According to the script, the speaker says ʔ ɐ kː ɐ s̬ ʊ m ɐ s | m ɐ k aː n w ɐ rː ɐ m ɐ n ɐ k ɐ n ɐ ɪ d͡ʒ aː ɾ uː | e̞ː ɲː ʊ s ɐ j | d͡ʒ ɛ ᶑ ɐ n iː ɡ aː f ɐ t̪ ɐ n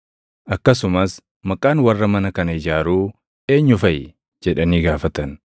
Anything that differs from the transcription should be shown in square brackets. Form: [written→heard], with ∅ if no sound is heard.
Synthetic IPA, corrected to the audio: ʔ ɐ kː ɐ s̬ ʊ m ɐ s | m ɐ [k→kʼ] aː n w ɐ rː ɐ m ɐ n ɐ k ɐ n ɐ ɪ d͡ʒ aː ɾ uː | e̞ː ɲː ʊ [s→f] ɐ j | d͡ʒ ɛ ᶑ ɐ n iː ɡ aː f ɐ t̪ ɐ n

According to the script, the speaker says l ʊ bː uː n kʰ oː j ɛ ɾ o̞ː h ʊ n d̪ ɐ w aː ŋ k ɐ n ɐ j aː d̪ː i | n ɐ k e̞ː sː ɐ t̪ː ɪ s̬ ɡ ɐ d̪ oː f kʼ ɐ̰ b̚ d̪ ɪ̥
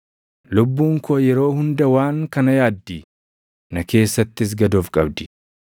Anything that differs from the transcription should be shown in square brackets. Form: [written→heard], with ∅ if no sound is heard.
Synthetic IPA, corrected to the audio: l ʊ bː uː [n→ŋ] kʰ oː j ɛ ɾ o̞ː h ʊ n d̪ ɐ w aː ŋ k ɐ n ɐ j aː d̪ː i | n ɐ k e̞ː sː ɐ t̪ː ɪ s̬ ɡ ɐ d̪ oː f kʼ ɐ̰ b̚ d̪ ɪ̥

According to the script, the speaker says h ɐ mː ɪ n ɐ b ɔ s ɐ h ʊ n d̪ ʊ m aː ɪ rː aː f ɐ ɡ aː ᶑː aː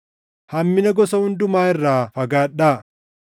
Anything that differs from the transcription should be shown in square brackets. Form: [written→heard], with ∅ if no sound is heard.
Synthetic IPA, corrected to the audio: h ɐ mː ɪ n ɐ [b→ɡ] ɔ s ɐ h ʊ n d̪ ʊ m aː ɪ rː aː f ɐ ɡ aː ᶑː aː

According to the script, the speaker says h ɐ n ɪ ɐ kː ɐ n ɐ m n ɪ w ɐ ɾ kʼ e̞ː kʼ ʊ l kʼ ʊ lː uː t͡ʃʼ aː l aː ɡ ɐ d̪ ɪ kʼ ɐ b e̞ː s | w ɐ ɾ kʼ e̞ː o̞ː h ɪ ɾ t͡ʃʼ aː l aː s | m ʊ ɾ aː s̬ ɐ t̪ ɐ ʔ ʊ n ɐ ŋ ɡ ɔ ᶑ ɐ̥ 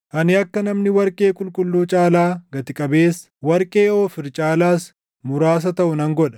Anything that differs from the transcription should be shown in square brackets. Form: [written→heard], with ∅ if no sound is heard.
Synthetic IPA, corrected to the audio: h ɐ n ɪ ɐ kː ɐ n ɐ m n ɪ w ɐ ɾ kʼ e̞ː kʼ ʊ l kʼ ʊ lː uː t͡ʃʼ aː l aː ɡ ɐ [d̪→t̪] ɪ kʼ ɐ b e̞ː s | w ɐ ɾ kʼ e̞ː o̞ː [h→f] ɪ ɾ t͡ʃʼ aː l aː s | m ʊ ɾ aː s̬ ɐ t̪ ɐ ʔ ʊ n ɐ ŋ ɡ ɔ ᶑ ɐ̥

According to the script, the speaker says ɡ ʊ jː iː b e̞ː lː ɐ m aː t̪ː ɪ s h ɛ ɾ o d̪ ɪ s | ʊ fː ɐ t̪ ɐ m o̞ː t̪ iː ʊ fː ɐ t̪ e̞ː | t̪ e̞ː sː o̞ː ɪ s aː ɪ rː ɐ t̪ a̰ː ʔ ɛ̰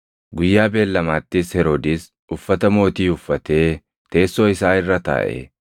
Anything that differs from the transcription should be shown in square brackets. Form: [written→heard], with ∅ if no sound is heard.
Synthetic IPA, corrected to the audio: ɡ ʊ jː [iː→aː] b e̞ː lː ɐ m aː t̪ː ɪ s h ɛ ɾ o d̪ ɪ s | ʊ fː ɐ t̪ ɐ m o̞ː t̪ iː ʊ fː ɐ t̪ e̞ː | t̪ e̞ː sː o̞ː ɪ s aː ɪ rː ɐ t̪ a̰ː ʔ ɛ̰

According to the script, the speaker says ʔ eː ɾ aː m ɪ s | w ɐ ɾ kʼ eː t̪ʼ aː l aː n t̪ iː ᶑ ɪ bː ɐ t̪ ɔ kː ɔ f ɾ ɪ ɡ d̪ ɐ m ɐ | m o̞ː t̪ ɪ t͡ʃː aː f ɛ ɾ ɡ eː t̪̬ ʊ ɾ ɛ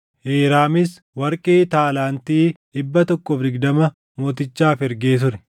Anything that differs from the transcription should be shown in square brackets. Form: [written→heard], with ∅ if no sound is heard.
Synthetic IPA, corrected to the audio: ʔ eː ɾ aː m ɪ s | w ɐ ɾ kʼ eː [t̪ʼ→t̪] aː l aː n t̪ iː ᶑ ɪ bː ɐ t̪ ɔ kː ɔ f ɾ ɪ ɡ d̪ ɐ m ɐ | m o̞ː t̪ ɪ t͡ʃː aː f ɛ ɾ ɡ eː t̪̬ ʊ ɾ ɛ

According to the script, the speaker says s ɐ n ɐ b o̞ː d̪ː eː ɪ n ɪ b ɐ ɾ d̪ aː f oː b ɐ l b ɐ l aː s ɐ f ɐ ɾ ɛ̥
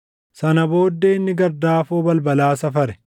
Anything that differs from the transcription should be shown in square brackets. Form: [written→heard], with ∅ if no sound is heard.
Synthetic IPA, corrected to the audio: s ɐ n ɐ b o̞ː d̪ː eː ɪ [n→nː] ɪ [b→ɡ] ɐ ɾ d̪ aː f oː b ɐ l b ɐ l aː s ɐ f ɐ ɾ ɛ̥

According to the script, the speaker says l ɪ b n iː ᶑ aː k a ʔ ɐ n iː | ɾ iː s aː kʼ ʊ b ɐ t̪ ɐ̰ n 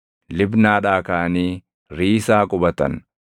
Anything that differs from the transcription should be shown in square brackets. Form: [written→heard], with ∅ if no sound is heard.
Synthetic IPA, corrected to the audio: l ɪ b n [iː→aː] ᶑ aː k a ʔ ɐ n iː | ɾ iː s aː kʼ ʊ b ɐ t̪ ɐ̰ n

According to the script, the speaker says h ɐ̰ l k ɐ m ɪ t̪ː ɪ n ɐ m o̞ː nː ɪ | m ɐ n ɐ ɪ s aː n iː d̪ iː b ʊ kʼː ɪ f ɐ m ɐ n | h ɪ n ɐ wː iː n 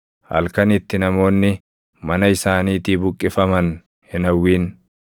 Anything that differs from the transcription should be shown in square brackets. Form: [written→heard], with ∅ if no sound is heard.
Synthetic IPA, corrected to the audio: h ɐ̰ l k ɐ [m→n] ɪ t̪ː ɪ n ɐ m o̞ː nː ɪ | m ɐ n ɐ ɪ s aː n iː [d̪→t̪] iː b ʊ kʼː ɪ f ɐ m ɐ n | h ɪ n ɐ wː iː n

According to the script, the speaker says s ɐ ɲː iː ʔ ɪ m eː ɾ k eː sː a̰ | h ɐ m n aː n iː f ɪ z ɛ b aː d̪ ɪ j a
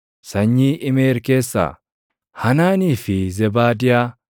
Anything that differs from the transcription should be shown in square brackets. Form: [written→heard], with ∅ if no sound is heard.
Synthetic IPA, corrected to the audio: s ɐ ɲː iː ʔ ɪ m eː ɾ k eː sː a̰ | h ɐ [m→∅] n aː n iː f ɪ z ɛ b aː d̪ ɪ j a

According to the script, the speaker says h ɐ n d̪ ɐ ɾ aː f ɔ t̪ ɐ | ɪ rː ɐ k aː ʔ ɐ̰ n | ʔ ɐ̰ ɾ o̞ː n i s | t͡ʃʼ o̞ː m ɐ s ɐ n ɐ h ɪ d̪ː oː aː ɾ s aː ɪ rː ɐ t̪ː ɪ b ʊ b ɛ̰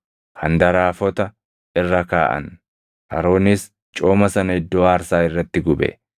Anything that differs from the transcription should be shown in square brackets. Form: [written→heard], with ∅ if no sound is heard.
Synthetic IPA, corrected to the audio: h ɐ n d̪ ɐ ɾ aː f ɔ t̪ ɐ | ɪ rː ɐ k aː ʔ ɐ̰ n | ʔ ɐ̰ ɾ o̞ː n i s | t͡ʃʼ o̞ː m ɐ s ɐ n ɐ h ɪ d̪ː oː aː ɾ s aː ɪ rː ɐ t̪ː ɪ [b→ɡ] ʊ b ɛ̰

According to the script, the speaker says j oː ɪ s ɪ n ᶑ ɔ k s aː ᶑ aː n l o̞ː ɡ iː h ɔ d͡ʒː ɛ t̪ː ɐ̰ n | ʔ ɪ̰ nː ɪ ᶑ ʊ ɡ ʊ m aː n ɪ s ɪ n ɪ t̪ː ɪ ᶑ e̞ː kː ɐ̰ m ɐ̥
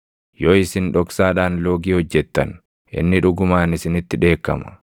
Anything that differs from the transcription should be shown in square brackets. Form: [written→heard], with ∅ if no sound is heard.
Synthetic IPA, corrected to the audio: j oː ɪ s ɪ n ᶑ ɔ k s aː ᶑ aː n l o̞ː ɡ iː h ɔ d͡ʒː ɛ t̪ː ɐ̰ n | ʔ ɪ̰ nː ɪ ᶑ ʊ ɡ ʊ m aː n ɪ s ɪ n ɪ t̪ː ɪ ᶑ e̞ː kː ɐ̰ m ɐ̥

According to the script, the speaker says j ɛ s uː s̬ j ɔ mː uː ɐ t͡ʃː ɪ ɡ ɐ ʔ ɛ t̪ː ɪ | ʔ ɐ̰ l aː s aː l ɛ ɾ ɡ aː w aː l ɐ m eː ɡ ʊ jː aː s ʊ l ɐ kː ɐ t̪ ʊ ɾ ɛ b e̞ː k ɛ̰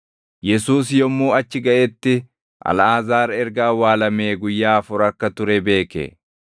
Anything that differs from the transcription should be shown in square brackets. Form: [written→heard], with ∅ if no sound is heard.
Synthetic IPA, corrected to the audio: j ɛ s uː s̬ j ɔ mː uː ɐ t͡ʃː ɪ ɡ ɐ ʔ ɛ t̪ː ɪ | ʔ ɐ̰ l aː [s→z] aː [l→ɾ] ɛ ɾ ɡ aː w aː l ɐ m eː ɡ ʊ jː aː [s→f] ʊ [l→ɾ] ɐ kː ɐ t̪ ʊ ɾ ɛ b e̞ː k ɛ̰

